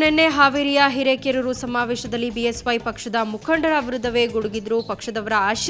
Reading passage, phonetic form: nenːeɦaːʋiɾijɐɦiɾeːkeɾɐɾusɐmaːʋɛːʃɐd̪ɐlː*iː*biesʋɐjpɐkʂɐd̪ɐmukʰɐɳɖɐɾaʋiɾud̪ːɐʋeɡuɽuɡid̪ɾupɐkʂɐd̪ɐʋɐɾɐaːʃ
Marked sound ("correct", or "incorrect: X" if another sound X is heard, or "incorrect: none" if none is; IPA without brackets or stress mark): incorrect: i